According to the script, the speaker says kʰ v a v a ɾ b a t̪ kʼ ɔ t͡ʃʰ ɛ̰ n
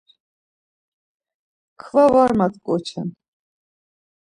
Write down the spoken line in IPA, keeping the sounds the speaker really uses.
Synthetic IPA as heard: kʰ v a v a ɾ m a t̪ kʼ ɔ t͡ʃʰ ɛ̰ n